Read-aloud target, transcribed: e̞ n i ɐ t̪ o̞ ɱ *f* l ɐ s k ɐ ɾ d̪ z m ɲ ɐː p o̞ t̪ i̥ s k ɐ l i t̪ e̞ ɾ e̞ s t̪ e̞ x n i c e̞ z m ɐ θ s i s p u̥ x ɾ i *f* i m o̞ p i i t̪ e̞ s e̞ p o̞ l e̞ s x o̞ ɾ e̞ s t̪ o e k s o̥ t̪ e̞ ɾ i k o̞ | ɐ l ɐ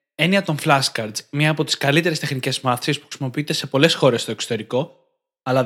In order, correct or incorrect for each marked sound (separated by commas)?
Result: correct, incorrect